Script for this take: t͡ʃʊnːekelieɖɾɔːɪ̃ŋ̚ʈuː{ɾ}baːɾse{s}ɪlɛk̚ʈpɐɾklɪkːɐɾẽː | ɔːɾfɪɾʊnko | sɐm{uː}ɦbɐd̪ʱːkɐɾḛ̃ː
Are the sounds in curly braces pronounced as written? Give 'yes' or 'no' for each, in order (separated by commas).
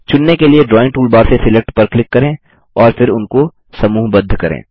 no, yes, yes